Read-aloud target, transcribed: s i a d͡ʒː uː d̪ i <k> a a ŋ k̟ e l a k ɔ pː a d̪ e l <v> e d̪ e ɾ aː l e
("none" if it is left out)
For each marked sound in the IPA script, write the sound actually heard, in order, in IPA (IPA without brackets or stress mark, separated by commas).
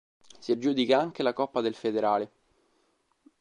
k, f